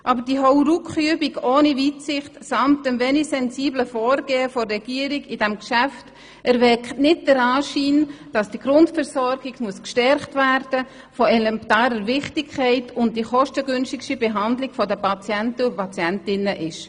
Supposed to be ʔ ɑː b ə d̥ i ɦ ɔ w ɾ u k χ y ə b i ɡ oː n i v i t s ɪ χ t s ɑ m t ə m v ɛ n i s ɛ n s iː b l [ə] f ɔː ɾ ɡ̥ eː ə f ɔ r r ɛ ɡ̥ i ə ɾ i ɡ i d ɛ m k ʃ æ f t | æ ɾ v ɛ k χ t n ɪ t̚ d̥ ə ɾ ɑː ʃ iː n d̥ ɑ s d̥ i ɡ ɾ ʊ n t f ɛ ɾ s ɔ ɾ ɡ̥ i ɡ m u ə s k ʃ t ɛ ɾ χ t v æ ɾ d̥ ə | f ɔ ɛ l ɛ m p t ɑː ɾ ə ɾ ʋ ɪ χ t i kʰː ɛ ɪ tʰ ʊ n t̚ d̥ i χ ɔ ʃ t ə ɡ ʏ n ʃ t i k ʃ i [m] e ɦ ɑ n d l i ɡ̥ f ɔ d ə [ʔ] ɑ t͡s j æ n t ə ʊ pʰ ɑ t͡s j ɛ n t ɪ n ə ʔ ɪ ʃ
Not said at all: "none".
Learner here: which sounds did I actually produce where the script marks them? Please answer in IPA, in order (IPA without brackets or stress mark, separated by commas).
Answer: ə, b, p